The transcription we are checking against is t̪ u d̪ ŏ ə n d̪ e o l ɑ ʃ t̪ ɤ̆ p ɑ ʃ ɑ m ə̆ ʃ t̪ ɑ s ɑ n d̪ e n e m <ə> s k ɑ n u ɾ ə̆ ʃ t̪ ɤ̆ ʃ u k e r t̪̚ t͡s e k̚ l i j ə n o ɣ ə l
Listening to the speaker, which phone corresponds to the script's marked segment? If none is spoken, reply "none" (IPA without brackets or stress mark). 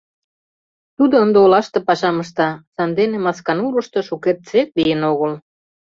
ɑ